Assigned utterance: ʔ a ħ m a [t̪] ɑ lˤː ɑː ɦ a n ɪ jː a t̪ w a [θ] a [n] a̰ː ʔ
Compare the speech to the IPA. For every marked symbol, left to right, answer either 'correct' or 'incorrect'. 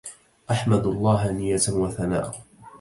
incorrect, correct, correct

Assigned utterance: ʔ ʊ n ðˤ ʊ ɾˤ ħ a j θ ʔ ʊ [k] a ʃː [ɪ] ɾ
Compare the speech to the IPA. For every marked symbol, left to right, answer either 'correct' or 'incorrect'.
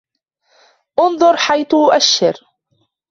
incorrect, correct

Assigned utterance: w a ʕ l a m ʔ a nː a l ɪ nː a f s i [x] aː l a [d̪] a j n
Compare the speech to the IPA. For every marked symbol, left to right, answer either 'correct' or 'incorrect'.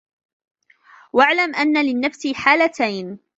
incorrect, incorrect

